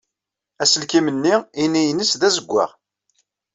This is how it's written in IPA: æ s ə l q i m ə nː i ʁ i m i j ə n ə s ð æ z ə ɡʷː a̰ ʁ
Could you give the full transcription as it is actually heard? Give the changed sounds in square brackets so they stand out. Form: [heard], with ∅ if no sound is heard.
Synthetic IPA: æ s ə l [k] i m ə nː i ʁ i [n] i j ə n ə s ð æ z ə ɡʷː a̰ ʁ